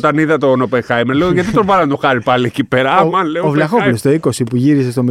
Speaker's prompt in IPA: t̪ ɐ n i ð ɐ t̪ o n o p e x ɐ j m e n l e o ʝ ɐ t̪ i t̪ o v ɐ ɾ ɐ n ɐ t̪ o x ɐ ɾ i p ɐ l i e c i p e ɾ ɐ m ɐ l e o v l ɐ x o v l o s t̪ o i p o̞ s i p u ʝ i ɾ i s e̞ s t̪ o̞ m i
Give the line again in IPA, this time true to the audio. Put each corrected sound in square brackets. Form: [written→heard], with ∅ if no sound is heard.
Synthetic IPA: t̪ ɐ n i ð ɐ t̪ o n o p e x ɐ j m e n l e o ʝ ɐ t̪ i t̪ o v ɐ ɾ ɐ n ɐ t̪ o x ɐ ɾ i p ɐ l i e c i p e ɾ ɐ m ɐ l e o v l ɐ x o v l o s t̪ o i [p→k] o̞ s i p u ʝ i ɾ i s e̞ s t̪ o̞ m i